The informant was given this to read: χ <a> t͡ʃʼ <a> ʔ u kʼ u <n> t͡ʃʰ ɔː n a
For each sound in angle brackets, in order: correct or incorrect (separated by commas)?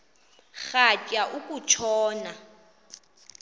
correct, correct, incorrect